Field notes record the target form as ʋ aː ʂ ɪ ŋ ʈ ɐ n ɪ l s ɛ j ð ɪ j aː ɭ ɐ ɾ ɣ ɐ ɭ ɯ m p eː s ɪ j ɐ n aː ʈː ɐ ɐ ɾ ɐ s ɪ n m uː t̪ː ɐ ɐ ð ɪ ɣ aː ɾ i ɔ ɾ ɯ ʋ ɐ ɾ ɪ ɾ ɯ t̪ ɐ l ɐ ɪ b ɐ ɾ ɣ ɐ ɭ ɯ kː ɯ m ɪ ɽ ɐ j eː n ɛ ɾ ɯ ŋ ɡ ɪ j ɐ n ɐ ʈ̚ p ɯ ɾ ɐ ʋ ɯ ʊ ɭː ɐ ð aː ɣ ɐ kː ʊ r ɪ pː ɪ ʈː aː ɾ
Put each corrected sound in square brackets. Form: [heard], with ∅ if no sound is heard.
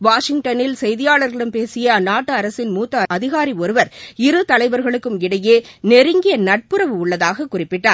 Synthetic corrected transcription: ʋ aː ʂ ɪ ŋ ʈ ɐ n ɪ l s ɛ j ð ɪ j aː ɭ ɐ ɾ ɣ ɐ ɭ ɯ m p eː s ɪ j ɐ n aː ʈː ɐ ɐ ɾ ɐ s ɪ n m uː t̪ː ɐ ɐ ð ɪ ɣ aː ɾ i ɔ ɾ ɯ ʋ ɐ ɾ ɪ ɾ ɯ t̪ ɐ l ɐ ɪ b ɐ ɾ ɣ ɐ ɭ ɯ kː ɯ m ɪ ɽ ɐ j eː n ɛ ɾ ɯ ŋ ɡ ɪ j ɐ n ɐ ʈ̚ p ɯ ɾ ɐ ʋ ɯ ʊ ɭː ɐ ð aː ɣ ɐ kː ʊ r ɪ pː ɪ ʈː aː ɾ